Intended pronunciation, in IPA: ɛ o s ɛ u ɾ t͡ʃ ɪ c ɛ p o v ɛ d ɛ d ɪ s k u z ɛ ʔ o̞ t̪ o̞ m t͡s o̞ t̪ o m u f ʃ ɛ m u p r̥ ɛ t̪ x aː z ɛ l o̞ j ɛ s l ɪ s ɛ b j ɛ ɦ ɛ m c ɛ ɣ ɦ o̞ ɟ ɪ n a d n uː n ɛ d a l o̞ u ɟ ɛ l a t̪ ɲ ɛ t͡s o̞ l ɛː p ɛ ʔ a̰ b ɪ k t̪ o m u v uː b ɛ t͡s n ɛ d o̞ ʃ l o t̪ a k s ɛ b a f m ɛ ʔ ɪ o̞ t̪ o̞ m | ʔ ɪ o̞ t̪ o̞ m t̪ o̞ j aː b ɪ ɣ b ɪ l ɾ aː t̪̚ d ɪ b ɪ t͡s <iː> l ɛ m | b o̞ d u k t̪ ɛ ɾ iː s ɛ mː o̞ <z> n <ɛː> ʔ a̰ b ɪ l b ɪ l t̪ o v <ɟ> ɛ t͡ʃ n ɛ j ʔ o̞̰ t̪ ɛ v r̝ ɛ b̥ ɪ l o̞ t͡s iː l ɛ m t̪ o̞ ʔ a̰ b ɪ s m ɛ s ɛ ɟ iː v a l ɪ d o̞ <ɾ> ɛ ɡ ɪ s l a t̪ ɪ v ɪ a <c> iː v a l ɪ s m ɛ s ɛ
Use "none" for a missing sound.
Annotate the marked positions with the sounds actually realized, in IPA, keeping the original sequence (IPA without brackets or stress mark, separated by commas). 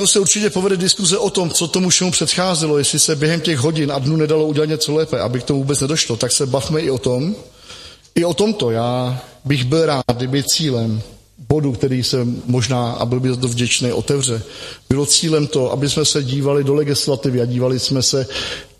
iː, ʒ, aː, ɟ, l, ɟ